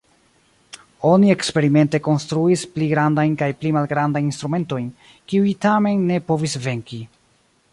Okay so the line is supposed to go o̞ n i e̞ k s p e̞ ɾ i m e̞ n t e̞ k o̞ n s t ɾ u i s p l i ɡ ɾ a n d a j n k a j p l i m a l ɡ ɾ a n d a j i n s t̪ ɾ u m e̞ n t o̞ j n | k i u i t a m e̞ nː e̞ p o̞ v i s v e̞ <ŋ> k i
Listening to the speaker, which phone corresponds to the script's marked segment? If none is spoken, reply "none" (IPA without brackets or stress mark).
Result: ŋ